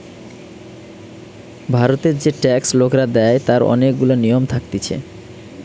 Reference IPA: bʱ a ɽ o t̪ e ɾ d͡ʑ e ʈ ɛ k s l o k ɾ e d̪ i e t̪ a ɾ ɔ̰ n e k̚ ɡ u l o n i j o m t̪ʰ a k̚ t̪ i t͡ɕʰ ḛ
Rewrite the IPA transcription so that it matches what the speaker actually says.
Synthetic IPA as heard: bʱ a ɾ o t̪ e ɾ d͡ʑ e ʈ ɛ k s l o k ɾ a d̪ ɛ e t̪ a ɾ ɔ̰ n e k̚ ɡ u l o n i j o m t̪ʰ a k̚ t̪ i t͡ɕʰ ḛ